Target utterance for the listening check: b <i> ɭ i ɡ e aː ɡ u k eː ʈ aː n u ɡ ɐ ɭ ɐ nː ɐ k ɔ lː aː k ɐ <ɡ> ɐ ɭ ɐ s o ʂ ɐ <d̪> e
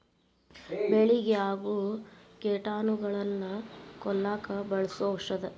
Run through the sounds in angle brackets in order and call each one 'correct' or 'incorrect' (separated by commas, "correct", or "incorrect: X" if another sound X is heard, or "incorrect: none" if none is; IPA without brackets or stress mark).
incorrect: e, incorrect: b, correct